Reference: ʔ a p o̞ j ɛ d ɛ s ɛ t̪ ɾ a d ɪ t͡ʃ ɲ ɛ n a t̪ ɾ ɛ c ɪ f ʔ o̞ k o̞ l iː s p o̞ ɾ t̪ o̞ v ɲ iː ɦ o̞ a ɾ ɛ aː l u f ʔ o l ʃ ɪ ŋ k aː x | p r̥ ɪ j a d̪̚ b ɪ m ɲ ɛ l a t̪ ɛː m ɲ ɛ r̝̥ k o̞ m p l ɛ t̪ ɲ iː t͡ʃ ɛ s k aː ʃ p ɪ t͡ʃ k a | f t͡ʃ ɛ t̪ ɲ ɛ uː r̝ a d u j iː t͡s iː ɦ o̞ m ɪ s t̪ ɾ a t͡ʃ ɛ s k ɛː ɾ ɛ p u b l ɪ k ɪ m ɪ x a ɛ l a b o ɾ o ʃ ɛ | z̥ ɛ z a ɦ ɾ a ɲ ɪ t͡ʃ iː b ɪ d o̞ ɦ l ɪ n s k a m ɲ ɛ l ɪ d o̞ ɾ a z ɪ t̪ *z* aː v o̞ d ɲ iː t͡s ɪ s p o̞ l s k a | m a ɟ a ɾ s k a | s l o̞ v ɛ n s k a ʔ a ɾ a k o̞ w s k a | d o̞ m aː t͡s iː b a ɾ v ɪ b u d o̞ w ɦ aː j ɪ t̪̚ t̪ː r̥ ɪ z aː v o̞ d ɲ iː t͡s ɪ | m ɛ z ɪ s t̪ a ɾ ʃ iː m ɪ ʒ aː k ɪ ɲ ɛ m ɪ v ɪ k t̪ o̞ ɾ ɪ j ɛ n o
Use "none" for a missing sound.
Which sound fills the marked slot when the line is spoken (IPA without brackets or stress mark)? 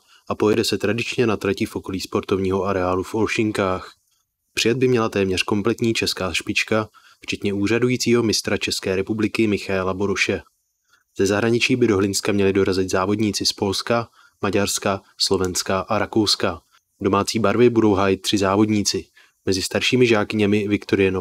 z